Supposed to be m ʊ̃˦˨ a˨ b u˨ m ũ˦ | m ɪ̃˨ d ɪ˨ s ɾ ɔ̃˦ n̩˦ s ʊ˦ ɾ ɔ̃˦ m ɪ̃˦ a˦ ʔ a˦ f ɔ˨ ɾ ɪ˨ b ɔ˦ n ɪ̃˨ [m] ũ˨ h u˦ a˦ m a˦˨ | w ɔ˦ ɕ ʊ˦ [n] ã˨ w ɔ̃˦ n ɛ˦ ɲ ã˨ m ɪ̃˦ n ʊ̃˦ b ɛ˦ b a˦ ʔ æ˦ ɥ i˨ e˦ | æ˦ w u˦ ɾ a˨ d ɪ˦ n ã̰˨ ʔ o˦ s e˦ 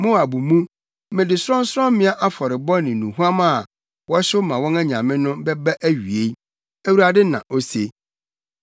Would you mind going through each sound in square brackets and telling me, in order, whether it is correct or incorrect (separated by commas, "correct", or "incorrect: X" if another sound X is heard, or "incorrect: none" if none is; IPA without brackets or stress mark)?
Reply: incorrect: n, incorrect: m